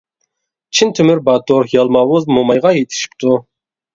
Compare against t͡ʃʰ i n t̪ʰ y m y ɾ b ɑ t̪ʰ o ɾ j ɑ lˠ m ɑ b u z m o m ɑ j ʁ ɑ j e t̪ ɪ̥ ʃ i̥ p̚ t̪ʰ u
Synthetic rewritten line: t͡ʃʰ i n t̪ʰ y m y ɾ b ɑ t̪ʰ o ɾ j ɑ lˠ m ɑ w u z m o m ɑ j ʁ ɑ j e t̪ʰ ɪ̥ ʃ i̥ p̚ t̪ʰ u